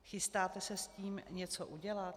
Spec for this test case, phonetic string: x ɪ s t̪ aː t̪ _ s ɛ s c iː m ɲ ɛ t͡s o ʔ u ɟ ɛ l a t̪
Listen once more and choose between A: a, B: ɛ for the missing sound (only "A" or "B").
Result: B